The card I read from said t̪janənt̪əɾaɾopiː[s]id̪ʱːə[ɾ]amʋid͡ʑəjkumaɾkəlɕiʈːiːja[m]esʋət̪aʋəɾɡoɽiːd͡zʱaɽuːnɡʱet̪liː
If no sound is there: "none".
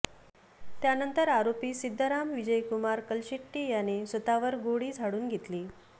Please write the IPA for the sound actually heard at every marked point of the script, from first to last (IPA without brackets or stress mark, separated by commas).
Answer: s, ɾ, n